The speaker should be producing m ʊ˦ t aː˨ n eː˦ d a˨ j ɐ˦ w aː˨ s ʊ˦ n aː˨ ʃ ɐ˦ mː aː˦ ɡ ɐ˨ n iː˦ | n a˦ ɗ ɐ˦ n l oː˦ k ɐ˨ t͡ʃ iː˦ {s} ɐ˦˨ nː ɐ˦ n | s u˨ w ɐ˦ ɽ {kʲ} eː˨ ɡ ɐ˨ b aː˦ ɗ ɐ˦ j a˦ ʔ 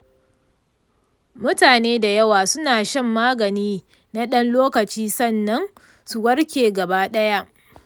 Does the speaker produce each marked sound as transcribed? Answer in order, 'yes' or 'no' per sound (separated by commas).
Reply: yes, yes